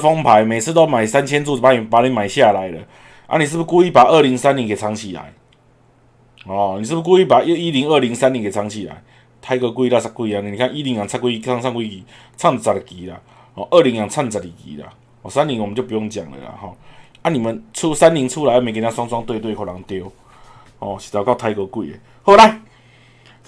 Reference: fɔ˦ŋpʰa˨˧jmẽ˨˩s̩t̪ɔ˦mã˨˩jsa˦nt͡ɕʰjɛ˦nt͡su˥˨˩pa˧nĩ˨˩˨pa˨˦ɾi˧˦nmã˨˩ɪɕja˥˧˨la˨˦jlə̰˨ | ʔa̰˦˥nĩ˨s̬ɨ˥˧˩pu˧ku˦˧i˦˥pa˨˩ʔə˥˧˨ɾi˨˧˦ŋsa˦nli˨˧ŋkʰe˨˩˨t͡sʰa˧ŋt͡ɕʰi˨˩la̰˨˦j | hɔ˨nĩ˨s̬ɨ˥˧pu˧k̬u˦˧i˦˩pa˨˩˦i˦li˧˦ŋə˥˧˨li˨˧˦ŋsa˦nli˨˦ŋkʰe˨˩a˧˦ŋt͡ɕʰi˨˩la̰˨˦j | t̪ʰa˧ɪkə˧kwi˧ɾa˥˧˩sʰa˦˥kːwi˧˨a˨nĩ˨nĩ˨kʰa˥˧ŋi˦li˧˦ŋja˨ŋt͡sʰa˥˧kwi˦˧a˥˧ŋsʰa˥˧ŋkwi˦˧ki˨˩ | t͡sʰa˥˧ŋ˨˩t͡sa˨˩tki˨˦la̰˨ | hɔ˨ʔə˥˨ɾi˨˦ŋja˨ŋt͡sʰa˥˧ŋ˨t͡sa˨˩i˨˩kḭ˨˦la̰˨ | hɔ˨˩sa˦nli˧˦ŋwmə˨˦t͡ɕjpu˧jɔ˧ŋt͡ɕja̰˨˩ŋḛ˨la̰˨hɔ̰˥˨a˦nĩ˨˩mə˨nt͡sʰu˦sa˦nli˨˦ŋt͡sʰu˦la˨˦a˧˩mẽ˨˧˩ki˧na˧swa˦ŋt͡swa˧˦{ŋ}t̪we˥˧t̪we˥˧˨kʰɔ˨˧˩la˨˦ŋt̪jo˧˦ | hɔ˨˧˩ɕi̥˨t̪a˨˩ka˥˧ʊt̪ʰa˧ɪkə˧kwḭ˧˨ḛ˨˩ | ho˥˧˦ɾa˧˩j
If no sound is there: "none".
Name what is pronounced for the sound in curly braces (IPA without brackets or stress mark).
ŋ